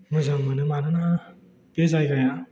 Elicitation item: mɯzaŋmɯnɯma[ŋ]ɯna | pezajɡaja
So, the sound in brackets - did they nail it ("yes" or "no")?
no